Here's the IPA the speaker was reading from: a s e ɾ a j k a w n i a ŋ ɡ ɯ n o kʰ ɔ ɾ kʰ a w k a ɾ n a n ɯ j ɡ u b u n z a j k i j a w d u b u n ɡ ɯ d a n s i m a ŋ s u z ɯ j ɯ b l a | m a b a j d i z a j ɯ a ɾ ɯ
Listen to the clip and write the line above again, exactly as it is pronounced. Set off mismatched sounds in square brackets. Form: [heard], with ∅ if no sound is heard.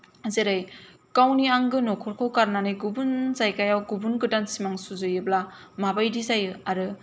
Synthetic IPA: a [z] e ɾ a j k a w n i a ŋ ɡ ɯ n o kʰ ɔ ɾ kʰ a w k a ɾ n a n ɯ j ɡ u b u n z a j k [a] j a w [ɡ] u b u n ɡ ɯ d a n s i m a ŋ s u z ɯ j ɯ b l a | m a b a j d i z a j ɯ a ɾ ɯ